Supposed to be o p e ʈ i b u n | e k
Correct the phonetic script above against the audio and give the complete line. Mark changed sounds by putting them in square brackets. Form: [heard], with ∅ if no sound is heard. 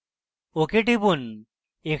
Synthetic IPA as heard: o [k] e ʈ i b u n | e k